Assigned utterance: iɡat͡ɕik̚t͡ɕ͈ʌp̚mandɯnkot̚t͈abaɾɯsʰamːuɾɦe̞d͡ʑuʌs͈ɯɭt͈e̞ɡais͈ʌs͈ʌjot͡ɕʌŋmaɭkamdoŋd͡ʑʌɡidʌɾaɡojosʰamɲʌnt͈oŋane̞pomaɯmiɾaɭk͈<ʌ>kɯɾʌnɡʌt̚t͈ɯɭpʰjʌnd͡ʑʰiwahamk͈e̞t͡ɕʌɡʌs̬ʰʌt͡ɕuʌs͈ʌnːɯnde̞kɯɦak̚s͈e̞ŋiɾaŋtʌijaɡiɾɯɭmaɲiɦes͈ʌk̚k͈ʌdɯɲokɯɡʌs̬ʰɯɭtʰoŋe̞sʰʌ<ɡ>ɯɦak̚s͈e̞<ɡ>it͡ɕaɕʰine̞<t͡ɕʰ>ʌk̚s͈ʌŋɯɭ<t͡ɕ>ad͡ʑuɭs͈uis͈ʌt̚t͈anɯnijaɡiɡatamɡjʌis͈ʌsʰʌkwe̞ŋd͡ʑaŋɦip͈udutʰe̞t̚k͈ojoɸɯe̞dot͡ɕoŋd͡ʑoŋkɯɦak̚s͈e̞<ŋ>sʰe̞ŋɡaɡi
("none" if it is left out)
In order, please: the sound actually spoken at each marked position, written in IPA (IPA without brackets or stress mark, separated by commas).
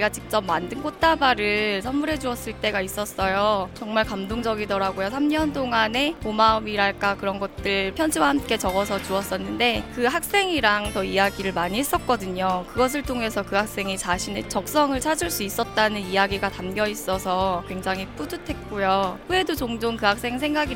a, k, ŋ, t͡ɕ, t͡ɕʰ, ŋ